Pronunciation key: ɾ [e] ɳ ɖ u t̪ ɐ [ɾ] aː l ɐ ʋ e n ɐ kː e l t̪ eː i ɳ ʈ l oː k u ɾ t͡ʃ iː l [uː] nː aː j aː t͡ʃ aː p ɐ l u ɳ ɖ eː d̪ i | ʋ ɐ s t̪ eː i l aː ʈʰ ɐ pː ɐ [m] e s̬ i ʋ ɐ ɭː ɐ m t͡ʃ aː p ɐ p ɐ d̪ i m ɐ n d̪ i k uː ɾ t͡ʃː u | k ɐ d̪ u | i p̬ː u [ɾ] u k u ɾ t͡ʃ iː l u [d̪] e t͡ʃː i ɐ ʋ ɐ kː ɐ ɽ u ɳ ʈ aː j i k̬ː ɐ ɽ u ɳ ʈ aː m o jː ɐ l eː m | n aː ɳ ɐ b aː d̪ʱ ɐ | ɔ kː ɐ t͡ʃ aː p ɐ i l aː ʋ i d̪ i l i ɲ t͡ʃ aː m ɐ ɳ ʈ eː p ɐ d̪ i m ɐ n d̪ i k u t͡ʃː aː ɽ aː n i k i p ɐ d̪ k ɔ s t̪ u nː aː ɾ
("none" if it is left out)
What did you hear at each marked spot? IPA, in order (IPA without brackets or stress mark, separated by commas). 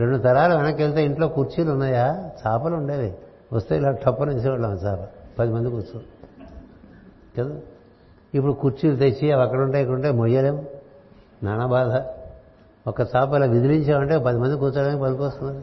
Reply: e, ɾ, u, n, ɽ, t̪